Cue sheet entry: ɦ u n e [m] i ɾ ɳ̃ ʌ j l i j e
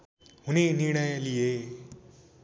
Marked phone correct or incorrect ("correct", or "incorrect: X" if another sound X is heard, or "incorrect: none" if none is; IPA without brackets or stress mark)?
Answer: incorrect: n